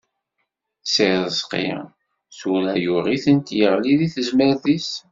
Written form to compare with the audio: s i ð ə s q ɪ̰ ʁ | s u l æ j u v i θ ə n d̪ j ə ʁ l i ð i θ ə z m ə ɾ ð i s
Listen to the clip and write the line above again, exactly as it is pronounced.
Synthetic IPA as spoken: s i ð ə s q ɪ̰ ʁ | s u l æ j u ʁ i θ ə n t̪ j ə ʁ l i ð i θ ə z m ə ɾ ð i s